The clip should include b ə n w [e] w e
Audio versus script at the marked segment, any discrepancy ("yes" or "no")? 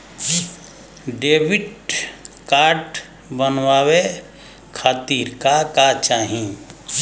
yes